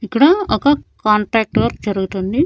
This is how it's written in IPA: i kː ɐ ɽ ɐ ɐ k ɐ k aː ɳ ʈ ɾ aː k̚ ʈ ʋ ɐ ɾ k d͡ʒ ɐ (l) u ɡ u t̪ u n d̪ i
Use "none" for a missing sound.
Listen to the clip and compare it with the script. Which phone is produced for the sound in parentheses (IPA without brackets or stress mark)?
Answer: ɾ